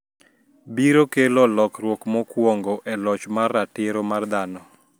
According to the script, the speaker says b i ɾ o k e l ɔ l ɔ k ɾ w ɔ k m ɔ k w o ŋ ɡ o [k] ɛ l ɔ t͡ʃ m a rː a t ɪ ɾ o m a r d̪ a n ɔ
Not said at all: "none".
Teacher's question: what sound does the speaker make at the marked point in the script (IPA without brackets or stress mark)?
ʔ